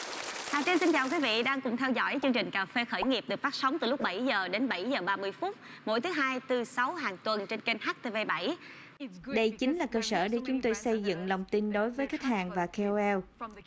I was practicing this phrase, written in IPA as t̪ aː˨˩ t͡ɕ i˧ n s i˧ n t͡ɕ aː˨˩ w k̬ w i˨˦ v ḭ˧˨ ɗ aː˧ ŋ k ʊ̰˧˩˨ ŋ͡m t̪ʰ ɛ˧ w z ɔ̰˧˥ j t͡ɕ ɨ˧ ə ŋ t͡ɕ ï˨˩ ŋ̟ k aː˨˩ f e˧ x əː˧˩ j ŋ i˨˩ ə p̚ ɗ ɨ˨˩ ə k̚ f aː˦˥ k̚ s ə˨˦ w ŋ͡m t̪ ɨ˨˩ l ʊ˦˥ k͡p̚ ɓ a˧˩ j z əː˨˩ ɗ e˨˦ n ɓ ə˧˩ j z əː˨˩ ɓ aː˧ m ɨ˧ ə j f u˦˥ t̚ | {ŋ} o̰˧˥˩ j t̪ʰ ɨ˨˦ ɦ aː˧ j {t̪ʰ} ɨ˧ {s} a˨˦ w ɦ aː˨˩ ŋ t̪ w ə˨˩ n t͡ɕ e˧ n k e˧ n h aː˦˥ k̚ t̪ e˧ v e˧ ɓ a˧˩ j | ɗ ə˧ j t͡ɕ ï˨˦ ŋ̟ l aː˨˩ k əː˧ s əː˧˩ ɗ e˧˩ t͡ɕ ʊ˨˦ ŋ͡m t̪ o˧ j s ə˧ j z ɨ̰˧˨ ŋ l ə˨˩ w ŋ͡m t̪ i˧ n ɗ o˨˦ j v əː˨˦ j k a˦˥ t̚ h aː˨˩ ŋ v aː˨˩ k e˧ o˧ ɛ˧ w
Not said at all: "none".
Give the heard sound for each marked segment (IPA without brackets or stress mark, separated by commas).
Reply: m, t̪, s